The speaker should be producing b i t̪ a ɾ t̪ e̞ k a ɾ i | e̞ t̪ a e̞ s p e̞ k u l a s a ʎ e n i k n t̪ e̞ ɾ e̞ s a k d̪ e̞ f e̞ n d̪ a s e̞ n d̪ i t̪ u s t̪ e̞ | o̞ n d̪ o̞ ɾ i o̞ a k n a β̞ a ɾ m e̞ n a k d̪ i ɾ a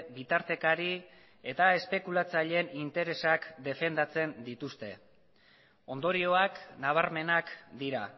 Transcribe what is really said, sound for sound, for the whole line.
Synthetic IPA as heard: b i t̪ a ɾ t̪ e̞ k a ɾ i | e̞ t̪ a e̞ s p e̞ k u l a t͡s a ʎ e n i n t̪ e̞ ɾ e̞ s a k d̪ e̞ f e̞ n d̪ a t͡s e̞ n d̪ i t̪ u s t̪ e̞ | o̞ n d̪ o̞ ɾ i o̞ a k n a β̞ a ɾ m e̞ n a k d̪ i ɾ a